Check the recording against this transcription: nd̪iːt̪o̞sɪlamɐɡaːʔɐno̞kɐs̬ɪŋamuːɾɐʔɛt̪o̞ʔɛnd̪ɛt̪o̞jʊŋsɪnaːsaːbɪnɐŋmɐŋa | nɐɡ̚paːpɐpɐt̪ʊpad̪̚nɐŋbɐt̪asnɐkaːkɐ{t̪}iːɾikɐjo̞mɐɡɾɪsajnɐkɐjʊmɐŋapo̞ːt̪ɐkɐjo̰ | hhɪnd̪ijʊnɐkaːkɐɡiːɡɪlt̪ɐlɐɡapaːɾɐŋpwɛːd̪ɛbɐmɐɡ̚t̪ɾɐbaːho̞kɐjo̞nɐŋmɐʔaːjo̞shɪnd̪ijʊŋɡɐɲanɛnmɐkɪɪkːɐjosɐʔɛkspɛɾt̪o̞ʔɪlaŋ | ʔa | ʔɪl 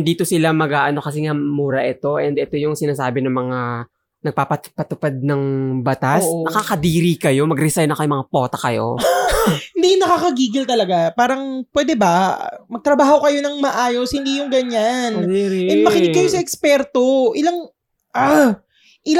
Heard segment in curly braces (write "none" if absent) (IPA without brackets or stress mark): d̪